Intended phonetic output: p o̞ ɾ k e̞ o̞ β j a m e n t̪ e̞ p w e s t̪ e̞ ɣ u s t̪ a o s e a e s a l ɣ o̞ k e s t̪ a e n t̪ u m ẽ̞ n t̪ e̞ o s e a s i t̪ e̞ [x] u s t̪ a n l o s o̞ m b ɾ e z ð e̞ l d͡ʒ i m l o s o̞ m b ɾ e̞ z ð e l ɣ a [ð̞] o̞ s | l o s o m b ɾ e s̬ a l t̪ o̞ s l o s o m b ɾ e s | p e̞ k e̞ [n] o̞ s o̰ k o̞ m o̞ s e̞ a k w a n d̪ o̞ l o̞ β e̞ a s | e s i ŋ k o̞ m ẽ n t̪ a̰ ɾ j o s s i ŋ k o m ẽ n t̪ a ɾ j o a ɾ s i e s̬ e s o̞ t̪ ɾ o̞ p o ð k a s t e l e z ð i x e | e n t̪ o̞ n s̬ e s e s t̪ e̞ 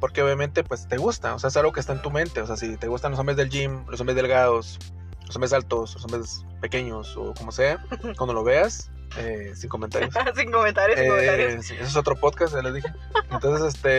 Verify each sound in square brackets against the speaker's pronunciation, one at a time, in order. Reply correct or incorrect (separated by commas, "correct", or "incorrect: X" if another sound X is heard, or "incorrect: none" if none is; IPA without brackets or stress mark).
incorrect: ɣ, correct, incorrect: ɲ